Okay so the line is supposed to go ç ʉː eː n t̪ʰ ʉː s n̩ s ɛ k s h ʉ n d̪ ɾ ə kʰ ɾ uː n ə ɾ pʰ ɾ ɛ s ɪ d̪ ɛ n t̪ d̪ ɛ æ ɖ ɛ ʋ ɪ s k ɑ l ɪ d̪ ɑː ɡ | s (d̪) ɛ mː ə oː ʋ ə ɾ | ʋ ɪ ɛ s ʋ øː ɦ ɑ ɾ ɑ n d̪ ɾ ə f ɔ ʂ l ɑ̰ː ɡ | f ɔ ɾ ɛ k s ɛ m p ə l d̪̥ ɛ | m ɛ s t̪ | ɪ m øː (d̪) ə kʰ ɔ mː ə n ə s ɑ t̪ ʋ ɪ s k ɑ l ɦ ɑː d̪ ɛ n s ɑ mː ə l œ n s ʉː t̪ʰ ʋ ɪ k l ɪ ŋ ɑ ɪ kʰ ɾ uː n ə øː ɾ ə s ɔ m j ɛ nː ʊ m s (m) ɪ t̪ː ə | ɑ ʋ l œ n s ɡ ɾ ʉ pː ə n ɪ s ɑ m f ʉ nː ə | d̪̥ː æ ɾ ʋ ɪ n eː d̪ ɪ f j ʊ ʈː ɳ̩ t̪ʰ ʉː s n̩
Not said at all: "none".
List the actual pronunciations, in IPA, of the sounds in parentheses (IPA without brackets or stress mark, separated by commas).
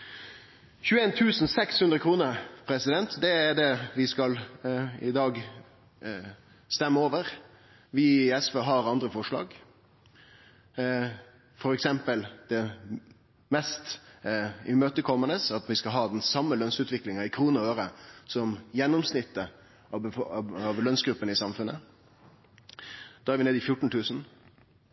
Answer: t̪, t̪, n